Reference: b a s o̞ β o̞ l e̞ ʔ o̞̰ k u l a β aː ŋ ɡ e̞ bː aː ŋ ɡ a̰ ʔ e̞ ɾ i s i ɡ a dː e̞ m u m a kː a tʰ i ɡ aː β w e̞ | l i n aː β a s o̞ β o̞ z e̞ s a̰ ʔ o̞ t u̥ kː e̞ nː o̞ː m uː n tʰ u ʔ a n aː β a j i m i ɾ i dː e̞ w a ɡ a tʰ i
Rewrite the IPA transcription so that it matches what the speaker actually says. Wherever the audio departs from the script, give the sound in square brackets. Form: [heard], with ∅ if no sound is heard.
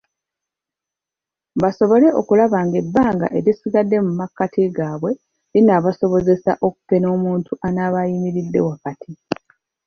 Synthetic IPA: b a s o̞ β o̞ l e̞ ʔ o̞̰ k u l a β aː ŋ ɡ e̞ bː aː ŋ ɡ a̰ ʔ e̞ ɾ i s i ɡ a dː e̞ m u m a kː a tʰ i ɡ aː β w e̞ | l i n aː β a s o̞ β o̞ z e̞ s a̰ ʔ o̞ [k] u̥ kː e̞ [n] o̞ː m uː n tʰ u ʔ a n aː β a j i m i ɾ i dː e̞ w a [k] a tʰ i